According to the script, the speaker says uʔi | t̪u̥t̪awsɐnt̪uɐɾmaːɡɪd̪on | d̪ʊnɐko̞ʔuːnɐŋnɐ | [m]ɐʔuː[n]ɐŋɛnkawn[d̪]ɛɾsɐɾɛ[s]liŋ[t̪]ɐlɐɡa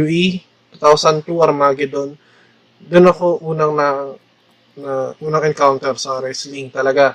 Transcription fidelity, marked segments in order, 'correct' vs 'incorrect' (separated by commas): incorrect, correct, incorrect, correct, correct